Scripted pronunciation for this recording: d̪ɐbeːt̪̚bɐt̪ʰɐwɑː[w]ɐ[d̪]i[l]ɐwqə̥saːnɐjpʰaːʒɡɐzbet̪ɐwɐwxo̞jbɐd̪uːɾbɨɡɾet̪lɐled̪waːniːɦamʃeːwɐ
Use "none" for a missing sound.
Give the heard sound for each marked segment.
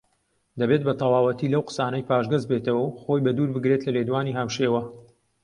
w, t̪, l

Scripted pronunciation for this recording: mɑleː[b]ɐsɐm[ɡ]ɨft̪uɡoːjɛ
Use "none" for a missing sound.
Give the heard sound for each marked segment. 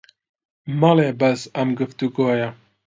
b, ɡ

